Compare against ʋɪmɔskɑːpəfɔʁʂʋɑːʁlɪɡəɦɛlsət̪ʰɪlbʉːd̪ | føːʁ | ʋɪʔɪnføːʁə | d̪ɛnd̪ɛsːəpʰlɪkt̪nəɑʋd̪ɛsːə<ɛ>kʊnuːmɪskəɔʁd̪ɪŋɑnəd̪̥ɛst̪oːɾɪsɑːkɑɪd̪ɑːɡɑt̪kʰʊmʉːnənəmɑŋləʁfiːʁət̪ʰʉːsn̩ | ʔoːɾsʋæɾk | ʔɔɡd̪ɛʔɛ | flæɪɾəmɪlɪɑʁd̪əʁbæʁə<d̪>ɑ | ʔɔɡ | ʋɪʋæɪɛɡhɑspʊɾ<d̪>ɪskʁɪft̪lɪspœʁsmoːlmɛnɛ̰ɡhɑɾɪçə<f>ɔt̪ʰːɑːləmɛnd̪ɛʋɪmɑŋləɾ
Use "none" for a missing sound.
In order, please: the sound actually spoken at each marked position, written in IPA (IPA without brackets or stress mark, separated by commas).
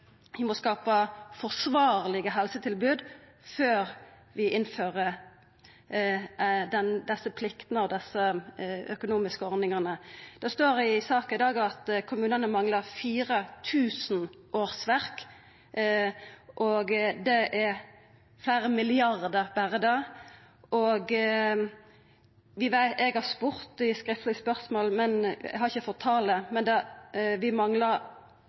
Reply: œ, d̪, t̪, f